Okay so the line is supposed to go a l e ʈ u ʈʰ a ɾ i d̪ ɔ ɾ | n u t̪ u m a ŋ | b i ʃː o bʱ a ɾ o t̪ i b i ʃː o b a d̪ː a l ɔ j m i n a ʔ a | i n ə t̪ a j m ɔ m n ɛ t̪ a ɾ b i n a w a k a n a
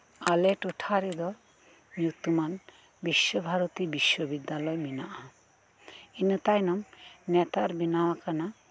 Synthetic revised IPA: a l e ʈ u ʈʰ a ɾ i d̪ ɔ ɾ | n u t̪ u m a n | b i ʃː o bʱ a ɾ o t̪ i b i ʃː o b i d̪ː a l ɔ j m i n a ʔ a | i n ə t̪ a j n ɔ m n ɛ t̪ a ɾ b i n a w a k a n a